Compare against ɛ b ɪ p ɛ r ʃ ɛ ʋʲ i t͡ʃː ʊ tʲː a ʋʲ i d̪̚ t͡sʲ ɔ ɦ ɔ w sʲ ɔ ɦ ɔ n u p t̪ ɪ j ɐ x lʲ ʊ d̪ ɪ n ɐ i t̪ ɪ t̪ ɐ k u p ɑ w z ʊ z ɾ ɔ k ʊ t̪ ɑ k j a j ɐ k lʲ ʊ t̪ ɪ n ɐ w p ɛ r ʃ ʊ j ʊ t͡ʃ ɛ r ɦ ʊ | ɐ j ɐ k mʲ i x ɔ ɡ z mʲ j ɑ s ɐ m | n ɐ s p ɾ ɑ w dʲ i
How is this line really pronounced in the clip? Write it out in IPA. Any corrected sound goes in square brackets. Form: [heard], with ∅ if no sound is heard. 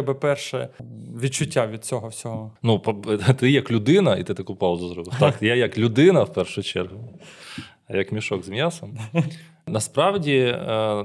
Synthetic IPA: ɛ b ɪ p ɛ r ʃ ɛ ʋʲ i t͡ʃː ʊ tʲː a ʋʲ i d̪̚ t͡sʲ ɔ ɦ ɔ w sʲ ɔ ɦ ɔ n u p t̪ ɪ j ɐ [k] lʲ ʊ d̪ ɪ n ɐ i t̪ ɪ t̪ ɐ k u p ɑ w z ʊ z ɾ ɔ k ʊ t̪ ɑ k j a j ɐ k lʲ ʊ [d̪] ɪ n ɐ w p ɛ r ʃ ʊ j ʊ t͡ʃ ɛ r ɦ ʊ | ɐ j ɐ k mʲ i [ʃ] ɔ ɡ z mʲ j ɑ s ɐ m | n ɐ s p ɾ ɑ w dʲ i